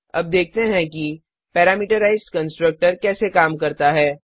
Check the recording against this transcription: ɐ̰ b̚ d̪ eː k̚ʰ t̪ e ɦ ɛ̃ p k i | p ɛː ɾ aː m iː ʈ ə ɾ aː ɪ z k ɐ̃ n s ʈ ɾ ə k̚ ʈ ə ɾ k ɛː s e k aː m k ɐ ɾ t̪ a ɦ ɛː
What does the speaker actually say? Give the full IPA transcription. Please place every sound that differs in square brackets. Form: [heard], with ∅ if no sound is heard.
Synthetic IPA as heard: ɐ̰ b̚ d̪ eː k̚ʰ t̪ e ɦ ɛ̃ [∅] k i | p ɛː ɾ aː m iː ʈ ə ɾ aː ɪ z k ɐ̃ n s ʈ ɾ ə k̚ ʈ ə ɾ k ɛː s e k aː m k ɐ ɾ t̪ a ɦ ɛː